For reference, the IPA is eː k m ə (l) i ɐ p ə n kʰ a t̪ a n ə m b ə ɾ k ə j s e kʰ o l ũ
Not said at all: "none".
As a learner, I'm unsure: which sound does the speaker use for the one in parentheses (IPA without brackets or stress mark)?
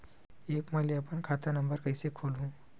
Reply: l